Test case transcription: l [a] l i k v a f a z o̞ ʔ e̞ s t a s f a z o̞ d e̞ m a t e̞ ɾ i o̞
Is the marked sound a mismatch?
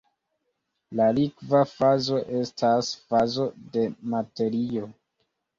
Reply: no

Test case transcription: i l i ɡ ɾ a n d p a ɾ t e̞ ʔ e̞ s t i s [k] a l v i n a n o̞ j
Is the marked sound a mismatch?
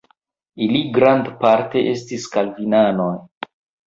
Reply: no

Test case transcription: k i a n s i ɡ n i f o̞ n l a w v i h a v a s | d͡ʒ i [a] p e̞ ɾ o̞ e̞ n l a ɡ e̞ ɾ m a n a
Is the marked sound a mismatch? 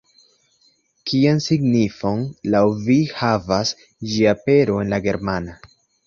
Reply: no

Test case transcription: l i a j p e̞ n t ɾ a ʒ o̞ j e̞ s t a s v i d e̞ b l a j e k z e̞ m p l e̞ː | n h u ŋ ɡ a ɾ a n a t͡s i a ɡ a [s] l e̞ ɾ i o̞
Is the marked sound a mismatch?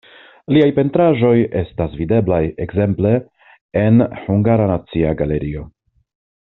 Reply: yes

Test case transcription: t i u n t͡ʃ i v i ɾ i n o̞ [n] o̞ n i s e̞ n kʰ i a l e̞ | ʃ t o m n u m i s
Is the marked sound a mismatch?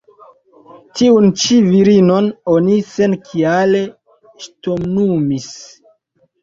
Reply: no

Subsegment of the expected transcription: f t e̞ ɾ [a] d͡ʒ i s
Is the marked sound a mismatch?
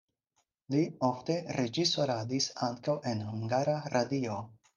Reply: yes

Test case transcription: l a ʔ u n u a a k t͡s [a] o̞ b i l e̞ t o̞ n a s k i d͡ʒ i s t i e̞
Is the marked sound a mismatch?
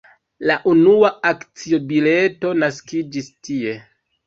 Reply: yes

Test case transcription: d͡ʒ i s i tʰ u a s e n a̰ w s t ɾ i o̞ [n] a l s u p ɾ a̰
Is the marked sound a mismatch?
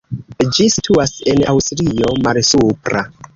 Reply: yes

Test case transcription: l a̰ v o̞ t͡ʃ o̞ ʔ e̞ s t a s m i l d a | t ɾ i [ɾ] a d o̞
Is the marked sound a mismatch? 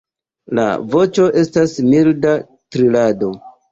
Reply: yes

